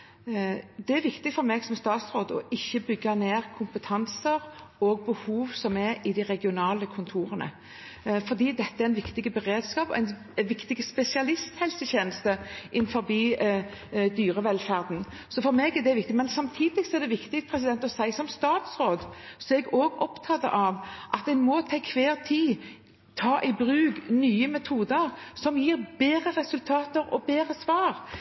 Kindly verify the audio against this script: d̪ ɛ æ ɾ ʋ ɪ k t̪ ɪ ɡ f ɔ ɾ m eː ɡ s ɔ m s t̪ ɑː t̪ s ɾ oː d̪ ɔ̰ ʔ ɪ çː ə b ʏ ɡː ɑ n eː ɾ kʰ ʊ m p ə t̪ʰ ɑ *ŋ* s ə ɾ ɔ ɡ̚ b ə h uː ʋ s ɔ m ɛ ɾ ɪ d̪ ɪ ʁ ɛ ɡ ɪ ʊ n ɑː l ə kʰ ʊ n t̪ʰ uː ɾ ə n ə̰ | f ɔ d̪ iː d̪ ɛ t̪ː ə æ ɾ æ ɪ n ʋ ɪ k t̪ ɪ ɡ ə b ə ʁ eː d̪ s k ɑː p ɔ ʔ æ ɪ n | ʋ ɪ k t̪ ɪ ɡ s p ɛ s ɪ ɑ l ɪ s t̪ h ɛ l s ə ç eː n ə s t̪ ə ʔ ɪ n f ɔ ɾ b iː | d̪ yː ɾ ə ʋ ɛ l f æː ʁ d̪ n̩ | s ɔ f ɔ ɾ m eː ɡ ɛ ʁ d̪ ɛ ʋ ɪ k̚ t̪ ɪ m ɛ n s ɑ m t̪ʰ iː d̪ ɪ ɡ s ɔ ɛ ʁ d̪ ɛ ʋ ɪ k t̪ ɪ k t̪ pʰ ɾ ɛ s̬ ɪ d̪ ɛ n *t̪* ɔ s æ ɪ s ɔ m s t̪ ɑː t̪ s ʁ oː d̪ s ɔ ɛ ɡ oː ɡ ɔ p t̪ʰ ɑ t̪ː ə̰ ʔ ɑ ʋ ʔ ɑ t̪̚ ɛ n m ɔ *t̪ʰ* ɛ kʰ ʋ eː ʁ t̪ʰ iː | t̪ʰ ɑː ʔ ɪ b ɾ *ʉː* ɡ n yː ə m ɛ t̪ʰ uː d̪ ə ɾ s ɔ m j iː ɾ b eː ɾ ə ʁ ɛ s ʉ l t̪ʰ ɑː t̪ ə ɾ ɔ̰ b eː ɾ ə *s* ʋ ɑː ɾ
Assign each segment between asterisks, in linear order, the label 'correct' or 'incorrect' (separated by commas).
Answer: incorrect, correct, correct, correct, correct